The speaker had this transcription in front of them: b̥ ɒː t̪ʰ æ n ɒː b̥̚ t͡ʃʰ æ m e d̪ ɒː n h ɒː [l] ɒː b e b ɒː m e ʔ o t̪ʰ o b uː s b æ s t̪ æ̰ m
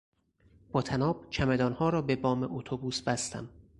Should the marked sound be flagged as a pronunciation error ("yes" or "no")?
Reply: yes